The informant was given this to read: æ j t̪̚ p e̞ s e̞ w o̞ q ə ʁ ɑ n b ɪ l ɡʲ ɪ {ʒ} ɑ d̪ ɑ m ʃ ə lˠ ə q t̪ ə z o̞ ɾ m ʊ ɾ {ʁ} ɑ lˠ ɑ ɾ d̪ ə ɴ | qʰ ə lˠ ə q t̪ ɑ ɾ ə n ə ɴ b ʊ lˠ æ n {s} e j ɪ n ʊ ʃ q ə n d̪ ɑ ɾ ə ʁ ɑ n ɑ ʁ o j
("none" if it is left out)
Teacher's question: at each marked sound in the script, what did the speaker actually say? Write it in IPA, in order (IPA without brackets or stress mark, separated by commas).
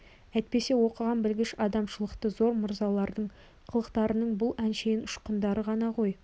ʃ, z, ʃ